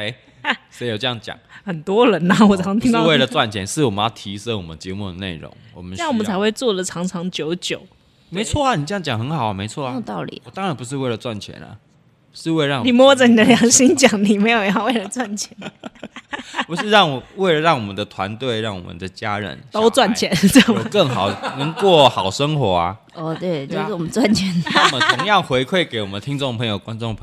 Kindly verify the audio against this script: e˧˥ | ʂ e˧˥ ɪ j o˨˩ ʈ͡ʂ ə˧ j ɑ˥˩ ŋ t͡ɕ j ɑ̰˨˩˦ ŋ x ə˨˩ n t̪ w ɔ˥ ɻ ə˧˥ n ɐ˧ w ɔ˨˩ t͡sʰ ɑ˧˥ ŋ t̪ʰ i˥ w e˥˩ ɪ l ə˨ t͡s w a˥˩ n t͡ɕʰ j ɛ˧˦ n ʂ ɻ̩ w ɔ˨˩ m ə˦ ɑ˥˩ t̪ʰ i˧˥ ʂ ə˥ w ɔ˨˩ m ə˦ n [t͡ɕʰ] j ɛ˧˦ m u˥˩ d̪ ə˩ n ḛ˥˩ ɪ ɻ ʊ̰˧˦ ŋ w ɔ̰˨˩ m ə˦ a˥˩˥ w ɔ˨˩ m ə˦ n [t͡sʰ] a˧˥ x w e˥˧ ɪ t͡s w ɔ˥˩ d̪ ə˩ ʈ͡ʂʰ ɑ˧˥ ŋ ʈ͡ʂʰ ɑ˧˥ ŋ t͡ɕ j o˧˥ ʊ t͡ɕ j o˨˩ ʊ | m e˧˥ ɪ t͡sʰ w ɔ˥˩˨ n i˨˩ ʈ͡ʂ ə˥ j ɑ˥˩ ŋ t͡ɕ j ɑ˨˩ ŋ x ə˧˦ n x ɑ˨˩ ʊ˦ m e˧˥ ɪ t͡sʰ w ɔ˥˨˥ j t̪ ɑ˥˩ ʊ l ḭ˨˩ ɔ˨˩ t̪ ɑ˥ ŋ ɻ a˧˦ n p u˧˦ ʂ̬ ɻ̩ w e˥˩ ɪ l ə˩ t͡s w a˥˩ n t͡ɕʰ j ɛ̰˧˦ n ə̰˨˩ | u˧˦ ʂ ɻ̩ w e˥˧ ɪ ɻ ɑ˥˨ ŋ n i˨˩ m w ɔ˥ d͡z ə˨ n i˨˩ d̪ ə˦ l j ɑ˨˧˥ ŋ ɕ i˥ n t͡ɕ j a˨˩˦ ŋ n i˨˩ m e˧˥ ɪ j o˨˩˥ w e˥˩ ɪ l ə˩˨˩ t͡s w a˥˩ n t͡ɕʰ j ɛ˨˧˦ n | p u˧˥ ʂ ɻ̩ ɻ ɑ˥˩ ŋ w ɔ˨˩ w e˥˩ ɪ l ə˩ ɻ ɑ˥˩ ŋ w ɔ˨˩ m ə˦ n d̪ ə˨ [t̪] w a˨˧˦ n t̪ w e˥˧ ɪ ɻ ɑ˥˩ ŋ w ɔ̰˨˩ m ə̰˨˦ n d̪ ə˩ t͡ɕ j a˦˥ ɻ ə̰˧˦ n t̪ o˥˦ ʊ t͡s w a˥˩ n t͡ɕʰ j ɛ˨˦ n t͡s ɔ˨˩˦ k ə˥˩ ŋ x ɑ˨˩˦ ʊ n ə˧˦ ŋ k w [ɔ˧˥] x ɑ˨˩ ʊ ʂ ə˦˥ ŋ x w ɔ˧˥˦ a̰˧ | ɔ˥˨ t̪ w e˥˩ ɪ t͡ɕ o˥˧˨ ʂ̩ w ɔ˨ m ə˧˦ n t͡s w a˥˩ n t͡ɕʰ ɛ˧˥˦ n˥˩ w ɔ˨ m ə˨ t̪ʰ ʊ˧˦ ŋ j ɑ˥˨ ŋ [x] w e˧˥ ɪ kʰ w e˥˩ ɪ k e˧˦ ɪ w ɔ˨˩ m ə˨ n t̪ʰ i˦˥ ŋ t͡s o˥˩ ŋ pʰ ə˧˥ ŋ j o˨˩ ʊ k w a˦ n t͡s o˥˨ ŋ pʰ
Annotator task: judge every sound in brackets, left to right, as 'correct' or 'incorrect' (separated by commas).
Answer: incorrect, correct, incorrect, incorrect, correct